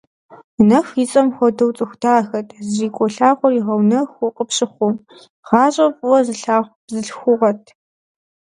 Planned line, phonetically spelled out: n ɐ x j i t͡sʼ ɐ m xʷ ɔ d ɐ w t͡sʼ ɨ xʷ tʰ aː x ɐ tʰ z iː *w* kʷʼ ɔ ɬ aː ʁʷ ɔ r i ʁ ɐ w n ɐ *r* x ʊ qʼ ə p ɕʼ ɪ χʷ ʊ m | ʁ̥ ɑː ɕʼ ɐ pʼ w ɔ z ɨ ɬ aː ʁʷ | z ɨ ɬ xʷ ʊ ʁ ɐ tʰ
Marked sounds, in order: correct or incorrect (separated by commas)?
incorrect, incorrect